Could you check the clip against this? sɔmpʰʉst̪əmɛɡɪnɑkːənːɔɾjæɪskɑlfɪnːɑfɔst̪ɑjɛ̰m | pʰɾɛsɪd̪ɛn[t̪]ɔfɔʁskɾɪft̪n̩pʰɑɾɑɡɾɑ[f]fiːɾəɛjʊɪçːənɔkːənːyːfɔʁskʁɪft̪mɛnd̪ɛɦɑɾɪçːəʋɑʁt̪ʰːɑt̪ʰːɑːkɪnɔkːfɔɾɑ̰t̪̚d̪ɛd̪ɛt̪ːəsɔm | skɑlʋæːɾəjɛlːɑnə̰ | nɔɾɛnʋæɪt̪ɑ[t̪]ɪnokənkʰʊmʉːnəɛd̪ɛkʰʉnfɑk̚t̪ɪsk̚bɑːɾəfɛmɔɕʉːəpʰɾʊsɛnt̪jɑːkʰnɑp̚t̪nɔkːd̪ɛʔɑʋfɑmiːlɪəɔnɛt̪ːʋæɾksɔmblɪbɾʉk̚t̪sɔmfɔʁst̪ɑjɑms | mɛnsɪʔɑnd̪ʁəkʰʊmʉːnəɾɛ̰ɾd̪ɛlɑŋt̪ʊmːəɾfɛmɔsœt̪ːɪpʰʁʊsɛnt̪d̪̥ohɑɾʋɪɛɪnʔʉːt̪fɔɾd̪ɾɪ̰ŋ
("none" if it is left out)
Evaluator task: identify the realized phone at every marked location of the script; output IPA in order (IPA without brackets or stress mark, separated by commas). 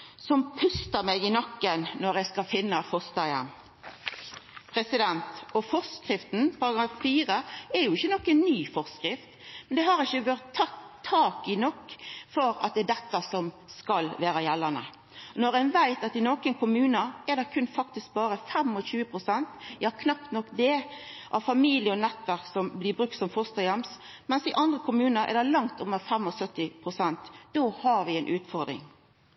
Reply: t̪, f, t̪